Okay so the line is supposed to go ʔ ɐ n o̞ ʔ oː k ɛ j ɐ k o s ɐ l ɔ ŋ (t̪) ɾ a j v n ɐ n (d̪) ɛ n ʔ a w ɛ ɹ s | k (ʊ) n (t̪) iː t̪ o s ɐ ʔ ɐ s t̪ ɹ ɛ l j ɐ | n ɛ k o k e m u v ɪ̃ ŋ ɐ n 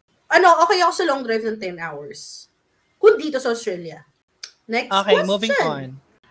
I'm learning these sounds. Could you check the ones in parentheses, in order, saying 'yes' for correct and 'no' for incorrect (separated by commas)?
no, no, yes, no